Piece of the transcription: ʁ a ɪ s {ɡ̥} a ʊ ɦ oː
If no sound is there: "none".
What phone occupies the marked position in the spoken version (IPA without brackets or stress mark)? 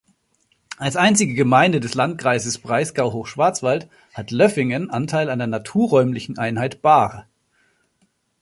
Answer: ɡ̥